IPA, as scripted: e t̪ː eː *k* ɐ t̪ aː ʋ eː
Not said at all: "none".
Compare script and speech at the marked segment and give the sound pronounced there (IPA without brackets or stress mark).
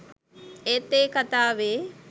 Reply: k